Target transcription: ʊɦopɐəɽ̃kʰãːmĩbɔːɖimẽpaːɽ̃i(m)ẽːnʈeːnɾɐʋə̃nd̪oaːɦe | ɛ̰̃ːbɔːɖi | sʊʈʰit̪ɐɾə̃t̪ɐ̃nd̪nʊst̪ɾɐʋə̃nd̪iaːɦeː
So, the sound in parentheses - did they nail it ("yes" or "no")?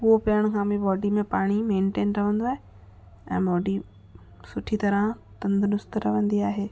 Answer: yes